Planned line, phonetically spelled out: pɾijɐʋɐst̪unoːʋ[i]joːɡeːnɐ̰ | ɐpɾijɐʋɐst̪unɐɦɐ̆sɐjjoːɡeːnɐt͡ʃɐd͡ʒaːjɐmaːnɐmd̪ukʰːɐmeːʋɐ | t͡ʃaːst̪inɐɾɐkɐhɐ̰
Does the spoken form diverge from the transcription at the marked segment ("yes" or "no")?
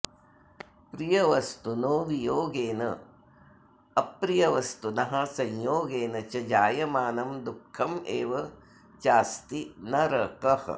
no